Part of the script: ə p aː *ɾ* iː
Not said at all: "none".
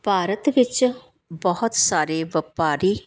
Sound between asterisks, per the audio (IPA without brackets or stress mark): ɾ